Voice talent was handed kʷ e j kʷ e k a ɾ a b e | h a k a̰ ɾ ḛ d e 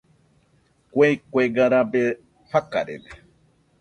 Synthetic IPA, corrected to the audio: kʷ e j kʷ e ɡ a ɾ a b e | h a k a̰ ɾ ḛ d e